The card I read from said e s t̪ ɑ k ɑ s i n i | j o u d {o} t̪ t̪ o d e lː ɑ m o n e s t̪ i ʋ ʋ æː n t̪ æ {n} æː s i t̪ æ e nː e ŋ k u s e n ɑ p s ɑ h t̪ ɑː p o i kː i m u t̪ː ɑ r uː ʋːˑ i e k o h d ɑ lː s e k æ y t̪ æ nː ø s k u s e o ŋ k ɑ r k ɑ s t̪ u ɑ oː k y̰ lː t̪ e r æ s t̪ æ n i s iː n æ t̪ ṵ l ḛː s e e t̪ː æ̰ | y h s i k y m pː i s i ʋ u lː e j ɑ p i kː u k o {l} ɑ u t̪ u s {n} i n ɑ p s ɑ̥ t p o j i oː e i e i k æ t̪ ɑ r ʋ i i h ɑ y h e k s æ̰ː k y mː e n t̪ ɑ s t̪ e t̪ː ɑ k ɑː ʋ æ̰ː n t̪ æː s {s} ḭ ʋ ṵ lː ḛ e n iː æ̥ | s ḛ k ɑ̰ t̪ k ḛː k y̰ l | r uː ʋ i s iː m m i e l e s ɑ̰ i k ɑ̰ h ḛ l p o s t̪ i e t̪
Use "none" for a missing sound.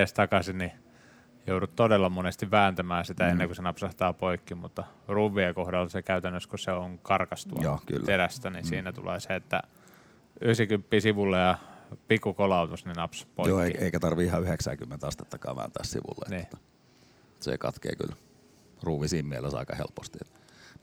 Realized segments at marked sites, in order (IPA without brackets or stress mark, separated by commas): u, m, l, n, s